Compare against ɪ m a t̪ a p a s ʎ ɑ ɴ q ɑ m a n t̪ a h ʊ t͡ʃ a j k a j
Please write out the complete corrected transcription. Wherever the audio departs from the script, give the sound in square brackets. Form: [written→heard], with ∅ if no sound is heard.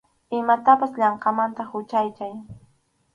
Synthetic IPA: ɪ m a t̪ a p a s ʎ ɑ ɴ q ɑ m a n t̪ a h ʊ t͡ʃ a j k a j